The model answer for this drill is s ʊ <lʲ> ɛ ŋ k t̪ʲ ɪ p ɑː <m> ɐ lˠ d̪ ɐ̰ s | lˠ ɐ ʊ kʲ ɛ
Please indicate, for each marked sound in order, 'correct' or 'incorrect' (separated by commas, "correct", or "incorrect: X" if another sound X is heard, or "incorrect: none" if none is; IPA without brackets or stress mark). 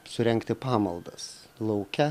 incorrect: ɾʲ, correct